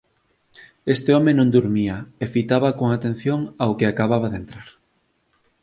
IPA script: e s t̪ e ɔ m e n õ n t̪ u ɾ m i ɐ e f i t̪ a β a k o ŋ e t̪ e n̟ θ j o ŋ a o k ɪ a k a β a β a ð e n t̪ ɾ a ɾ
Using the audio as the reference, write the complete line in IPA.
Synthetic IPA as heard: e s t̪ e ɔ m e n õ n d̪ u ɾ m i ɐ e f i t̪ a β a k o ŋ a t̪ e n̟ θ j o ŋ a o k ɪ a k a β a β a ð e n t̪ ɾ a ɾ